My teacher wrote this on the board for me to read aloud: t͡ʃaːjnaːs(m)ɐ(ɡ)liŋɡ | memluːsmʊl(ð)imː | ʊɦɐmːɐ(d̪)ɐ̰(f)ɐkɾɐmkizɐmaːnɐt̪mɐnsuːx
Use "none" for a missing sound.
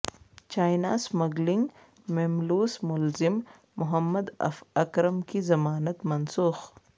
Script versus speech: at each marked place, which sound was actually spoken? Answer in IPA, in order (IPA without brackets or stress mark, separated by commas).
m, ɡ, z, d̪, f